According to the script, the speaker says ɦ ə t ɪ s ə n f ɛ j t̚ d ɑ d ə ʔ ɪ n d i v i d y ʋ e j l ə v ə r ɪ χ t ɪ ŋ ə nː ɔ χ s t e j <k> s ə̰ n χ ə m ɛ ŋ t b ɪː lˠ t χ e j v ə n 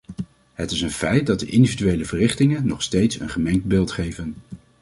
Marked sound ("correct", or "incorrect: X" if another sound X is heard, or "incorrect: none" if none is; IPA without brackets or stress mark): incorrect: t